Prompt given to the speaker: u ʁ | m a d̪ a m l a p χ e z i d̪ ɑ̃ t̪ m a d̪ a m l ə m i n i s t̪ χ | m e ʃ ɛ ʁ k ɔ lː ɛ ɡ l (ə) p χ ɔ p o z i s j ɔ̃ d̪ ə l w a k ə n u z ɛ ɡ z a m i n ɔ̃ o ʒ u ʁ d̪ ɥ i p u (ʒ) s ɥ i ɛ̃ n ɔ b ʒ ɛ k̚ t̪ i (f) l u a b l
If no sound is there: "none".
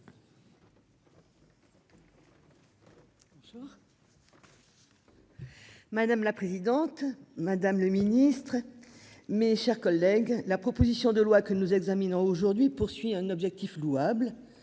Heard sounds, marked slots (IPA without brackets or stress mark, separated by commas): a, ʁ, f